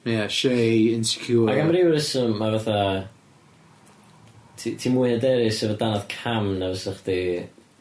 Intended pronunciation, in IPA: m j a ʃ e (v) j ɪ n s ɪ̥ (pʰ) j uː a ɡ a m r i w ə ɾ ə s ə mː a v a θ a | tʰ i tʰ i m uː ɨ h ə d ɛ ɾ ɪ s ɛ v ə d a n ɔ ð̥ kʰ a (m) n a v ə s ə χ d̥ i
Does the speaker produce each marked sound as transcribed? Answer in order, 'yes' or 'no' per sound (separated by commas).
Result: no, no, yes